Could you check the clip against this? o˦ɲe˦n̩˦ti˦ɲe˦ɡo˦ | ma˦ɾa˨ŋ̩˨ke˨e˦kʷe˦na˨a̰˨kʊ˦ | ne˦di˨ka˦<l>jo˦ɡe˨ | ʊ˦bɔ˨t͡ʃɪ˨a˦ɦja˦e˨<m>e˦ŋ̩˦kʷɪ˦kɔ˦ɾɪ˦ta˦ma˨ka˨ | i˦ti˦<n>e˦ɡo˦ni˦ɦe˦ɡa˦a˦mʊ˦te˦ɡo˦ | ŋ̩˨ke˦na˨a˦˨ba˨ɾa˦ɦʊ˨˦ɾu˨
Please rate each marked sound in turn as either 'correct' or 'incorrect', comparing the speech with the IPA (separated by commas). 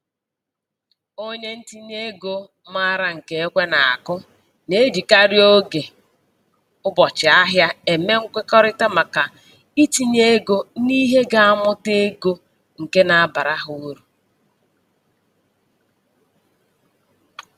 incorrect, correct, incorrect